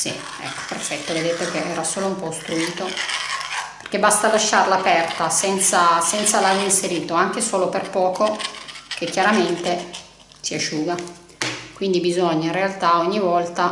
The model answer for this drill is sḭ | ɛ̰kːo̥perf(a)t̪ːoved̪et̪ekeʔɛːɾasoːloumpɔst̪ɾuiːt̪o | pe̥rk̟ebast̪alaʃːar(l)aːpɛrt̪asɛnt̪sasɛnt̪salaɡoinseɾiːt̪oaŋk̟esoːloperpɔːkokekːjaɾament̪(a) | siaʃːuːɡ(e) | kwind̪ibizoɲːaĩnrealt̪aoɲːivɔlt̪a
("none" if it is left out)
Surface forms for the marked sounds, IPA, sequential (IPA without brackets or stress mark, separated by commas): ɛ, l, e, a